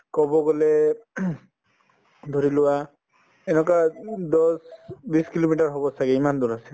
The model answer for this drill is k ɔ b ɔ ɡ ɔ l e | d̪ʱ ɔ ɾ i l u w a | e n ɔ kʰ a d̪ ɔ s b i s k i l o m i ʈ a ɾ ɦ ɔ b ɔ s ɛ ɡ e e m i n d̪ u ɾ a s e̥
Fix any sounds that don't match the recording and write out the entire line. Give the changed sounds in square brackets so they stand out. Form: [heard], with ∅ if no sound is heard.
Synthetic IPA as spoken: k ɔ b ɔ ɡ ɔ l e | d̪ʱ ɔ ɾ i l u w a | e n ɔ [k] a d̪ ɔ s b i s k i l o m i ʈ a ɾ ɦ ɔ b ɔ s [a] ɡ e [i] m [a] n d̪ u ɾ a s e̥